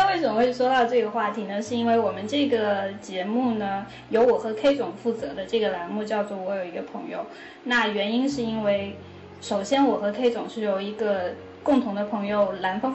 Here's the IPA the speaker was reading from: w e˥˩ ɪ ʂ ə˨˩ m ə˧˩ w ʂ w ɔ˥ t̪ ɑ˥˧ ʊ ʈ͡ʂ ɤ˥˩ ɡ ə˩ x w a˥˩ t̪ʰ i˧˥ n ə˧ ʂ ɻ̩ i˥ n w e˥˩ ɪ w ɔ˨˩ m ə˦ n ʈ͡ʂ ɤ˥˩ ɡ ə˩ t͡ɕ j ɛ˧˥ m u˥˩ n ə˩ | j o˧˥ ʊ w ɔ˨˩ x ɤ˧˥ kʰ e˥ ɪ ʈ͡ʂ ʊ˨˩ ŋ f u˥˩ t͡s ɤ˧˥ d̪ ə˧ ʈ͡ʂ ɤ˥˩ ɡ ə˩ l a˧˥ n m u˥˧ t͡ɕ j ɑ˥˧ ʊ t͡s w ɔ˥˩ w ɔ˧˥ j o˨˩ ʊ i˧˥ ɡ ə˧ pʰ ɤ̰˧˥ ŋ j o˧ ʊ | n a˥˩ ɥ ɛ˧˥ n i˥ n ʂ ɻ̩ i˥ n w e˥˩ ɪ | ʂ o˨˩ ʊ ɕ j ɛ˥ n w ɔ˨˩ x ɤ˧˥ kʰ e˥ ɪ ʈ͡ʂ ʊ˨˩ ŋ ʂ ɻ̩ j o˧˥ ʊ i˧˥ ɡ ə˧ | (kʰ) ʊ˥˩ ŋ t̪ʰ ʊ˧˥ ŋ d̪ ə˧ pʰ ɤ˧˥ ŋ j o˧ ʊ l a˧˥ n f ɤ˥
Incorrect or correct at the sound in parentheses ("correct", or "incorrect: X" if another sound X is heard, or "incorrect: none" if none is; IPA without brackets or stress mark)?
incorrect: k